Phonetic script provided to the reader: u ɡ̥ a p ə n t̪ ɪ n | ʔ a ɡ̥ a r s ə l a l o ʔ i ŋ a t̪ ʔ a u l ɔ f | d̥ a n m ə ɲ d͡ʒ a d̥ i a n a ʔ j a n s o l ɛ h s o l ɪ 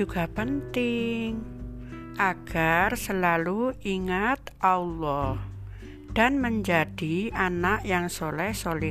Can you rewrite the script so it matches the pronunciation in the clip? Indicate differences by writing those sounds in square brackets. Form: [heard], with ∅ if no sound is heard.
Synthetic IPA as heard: u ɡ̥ a p ə n t̪ ɪ [ŋ] | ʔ a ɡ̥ a r s ə l a l [u] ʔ i ŋ a t̪ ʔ a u l ɔ [h] | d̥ a n m ə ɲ d͡ʒ a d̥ i a n a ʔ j a [ŋ] s o l ɛ h s o l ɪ